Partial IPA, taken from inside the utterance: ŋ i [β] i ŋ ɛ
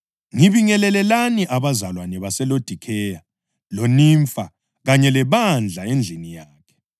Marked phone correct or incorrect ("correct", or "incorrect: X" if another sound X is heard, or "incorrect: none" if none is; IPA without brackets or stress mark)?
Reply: correct